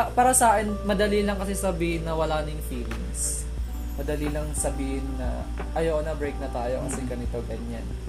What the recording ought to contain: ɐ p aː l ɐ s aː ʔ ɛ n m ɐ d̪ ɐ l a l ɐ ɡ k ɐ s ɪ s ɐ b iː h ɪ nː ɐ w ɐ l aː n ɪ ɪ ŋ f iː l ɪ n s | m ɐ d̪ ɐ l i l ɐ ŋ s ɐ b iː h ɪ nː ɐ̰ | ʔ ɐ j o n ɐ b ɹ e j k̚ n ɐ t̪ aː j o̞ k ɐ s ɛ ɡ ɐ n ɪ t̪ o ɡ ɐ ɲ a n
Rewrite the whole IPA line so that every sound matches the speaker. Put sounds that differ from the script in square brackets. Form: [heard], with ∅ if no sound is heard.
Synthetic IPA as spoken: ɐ p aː [ɾ] ɐ s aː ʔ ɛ n m ɐ d̪ ɐ l [i] l ɐ [ŋ] k ɐ s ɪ s ɐ b iː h ɪ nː ɐ w ɐ l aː n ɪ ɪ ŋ f iː l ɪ [ŋ] s | m ɐ d̪ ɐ l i l ɐ ŋ s ɐ b iː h ɪ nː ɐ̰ | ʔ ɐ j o n ɐ b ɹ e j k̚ n ɐ t̪ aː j o̞ k ɐ s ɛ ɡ ɐ n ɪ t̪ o ɡ ɐ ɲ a n